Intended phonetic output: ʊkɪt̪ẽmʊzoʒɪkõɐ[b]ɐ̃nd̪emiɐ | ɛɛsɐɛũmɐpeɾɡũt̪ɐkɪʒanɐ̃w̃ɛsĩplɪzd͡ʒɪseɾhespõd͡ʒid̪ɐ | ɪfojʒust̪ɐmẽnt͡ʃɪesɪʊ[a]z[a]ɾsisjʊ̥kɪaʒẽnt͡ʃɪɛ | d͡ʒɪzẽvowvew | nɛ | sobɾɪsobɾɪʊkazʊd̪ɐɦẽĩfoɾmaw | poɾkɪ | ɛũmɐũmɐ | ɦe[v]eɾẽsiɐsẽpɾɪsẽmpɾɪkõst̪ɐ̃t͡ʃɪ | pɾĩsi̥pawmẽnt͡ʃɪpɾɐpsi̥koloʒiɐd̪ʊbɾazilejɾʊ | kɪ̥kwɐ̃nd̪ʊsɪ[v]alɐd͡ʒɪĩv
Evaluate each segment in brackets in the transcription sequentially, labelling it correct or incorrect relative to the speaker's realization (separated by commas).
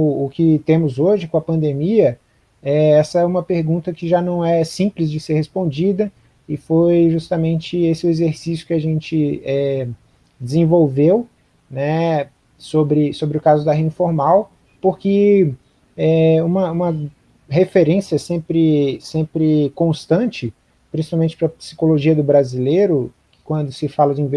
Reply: incorrect, incorrect, incorrect, incorrect, incorrect